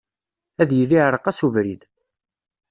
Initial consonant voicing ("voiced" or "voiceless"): voiced